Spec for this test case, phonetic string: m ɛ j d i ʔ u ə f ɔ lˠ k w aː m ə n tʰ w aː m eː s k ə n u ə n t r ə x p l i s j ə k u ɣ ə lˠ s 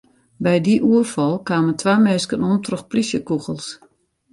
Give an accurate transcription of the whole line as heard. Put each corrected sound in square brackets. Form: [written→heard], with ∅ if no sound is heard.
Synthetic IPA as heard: [m→b] ɛ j d i ʔ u ə f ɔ lˠ k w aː m ə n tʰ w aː m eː s k ə n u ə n t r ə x p l i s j ə k u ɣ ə lˠ s